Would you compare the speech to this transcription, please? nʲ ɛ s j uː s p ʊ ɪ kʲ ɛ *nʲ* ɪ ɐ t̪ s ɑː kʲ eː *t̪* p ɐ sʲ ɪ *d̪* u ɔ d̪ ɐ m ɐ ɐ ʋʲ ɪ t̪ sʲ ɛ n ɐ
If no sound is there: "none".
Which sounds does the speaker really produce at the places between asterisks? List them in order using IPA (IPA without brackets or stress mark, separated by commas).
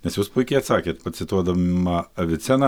none, t̪, t̪